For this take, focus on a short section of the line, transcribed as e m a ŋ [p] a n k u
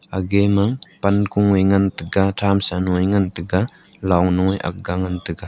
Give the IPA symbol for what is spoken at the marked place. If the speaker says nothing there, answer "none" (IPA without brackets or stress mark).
p